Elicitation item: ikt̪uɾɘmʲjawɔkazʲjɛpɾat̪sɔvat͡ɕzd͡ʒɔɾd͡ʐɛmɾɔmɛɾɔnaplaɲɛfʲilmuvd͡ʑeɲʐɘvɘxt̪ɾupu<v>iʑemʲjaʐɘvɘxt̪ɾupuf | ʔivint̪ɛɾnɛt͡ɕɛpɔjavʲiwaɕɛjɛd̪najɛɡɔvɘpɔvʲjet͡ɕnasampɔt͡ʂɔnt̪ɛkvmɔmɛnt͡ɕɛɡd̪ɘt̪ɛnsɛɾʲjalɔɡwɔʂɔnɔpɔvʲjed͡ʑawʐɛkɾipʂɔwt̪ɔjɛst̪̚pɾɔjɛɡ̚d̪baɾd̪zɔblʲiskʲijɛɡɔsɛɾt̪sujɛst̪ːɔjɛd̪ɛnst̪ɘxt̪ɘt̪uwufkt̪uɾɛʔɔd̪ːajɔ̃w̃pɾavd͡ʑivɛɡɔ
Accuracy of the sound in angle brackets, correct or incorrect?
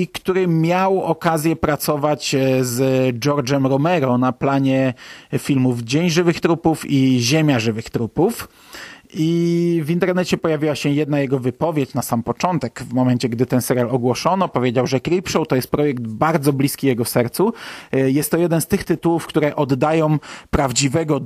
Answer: incorrect